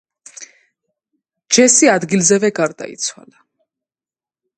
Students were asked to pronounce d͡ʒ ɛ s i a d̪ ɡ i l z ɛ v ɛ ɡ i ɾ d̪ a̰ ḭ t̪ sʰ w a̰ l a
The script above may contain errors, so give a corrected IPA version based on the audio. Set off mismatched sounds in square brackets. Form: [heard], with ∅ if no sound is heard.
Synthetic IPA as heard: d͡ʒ ɛ s i a d̪ ɡ i l z ɛ v ɛ ɡ [a] ɾ d̪ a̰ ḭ t̪ sʰ w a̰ l a